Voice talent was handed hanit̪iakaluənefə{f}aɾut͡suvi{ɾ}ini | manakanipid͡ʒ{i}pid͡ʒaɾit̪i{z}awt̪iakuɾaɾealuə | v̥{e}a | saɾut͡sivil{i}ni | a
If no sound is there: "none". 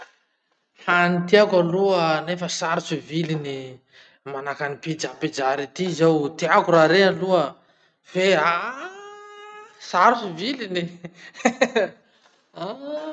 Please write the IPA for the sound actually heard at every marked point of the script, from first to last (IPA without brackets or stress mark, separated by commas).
s, l, a, z, e, i